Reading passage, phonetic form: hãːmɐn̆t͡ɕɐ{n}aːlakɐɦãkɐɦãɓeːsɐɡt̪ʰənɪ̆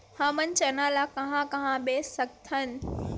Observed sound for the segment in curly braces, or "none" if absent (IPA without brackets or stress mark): n